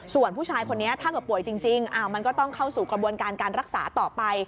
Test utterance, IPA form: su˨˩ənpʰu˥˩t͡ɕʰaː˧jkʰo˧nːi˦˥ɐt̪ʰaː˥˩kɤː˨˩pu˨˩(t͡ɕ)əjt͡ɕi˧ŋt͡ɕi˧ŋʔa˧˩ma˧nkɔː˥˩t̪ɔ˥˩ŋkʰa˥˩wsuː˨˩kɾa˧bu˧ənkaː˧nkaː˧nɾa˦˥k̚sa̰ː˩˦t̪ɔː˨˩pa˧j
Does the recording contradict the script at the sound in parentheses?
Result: yes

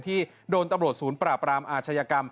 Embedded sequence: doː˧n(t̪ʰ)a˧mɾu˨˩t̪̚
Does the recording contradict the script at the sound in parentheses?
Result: yes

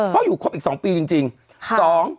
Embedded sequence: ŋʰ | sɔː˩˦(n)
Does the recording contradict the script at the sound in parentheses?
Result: yes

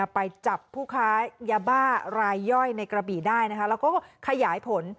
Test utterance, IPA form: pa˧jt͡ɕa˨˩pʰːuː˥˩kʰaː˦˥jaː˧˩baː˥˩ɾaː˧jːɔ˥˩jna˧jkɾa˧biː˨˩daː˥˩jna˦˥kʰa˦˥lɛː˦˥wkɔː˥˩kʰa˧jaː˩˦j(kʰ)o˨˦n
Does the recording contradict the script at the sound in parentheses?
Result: yes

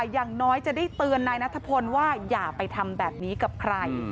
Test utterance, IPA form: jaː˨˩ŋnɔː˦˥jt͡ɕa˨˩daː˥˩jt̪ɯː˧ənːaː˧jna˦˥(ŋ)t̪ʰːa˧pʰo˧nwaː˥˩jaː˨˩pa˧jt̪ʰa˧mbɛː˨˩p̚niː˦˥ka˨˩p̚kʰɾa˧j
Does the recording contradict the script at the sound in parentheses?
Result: yes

